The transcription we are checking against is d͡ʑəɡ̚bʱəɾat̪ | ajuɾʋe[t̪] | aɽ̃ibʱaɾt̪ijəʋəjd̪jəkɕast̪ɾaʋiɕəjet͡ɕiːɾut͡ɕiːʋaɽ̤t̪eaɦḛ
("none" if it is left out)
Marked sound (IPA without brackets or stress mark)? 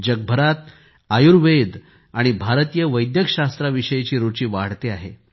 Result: d̪